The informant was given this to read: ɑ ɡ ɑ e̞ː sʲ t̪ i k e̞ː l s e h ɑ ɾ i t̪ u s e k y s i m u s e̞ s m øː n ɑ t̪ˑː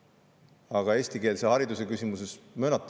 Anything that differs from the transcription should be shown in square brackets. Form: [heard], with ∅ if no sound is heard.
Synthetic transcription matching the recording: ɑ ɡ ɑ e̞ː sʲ t̪ i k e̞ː l s e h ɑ ɾ i [d̪] u s e k y s i m u s e̞ s m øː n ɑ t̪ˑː